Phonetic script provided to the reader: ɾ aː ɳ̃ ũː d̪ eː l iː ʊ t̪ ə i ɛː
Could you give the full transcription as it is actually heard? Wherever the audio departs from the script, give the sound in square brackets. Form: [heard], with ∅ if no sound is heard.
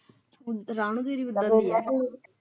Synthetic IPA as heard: ɾ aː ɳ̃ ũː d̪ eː [ɾ] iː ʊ [d̪] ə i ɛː